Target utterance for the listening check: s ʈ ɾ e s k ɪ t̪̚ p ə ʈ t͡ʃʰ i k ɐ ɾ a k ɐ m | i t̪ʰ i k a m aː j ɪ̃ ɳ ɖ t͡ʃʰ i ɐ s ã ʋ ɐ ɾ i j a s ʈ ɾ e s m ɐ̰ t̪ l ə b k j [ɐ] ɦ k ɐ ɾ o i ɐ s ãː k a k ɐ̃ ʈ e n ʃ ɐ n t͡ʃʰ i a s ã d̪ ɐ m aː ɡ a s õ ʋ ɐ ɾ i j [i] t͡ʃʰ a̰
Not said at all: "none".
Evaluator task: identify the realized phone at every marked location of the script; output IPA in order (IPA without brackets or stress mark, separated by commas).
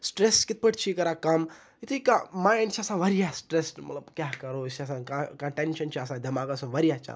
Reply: a, a